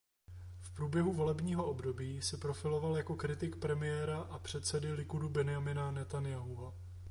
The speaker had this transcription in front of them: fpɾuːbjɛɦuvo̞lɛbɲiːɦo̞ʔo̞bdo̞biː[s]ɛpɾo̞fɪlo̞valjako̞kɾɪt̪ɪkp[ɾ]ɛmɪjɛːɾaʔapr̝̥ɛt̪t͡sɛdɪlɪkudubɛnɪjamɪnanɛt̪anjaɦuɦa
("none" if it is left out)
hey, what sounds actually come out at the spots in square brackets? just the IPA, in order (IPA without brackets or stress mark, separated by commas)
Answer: s, ɾ